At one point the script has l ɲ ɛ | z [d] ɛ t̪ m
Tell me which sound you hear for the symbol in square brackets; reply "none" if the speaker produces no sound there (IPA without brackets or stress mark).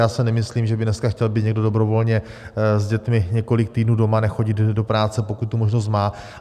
ɟ